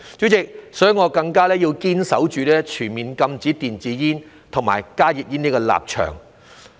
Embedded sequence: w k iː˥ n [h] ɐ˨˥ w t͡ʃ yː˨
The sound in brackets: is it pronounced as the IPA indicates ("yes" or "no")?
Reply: no